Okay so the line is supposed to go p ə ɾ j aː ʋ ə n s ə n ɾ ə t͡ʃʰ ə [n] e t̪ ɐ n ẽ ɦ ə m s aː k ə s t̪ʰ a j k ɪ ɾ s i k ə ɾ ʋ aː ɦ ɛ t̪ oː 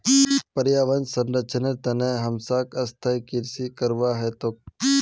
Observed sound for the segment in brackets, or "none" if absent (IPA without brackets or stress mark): n